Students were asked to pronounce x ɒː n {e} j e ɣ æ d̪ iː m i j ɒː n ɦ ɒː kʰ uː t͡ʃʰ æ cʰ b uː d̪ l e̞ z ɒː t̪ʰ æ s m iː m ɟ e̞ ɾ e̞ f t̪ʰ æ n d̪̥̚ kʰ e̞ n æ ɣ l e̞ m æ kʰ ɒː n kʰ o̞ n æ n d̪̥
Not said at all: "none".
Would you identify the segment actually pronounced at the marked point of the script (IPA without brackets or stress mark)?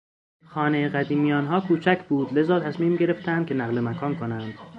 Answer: e